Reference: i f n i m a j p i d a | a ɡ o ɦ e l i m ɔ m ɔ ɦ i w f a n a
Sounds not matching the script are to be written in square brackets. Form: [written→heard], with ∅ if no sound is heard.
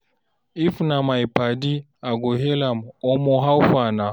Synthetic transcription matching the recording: i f n [i→a] m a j p [i→a] d [a→i] | a ɡ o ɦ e l [i→a] m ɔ m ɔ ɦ [i→a] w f a n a